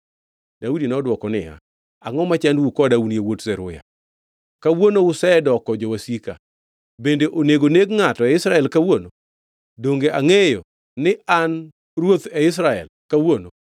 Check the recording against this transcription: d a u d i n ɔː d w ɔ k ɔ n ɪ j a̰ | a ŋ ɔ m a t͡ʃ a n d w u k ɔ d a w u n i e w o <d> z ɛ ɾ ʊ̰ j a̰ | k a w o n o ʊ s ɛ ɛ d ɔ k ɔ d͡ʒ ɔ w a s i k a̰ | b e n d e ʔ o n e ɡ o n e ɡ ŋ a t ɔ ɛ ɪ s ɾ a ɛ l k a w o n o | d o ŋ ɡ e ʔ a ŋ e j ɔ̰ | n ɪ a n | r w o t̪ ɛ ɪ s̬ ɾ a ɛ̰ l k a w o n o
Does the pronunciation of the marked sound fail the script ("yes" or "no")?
yes